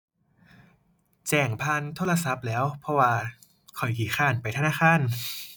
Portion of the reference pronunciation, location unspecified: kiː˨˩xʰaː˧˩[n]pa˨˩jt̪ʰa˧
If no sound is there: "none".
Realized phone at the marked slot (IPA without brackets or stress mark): n